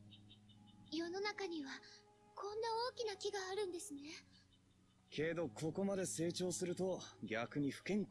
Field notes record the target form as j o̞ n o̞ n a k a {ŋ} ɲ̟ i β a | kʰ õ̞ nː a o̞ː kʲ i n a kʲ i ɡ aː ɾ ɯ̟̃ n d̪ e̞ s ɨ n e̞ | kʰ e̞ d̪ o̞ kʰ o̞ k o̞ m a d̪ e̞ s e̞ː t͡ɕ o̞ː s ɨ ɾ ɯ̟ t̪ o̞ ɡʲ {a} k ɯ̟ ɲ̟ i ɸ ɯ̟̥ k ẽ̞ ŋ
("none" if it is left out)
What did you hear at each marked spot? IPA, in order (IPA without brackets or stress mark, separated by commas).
none, a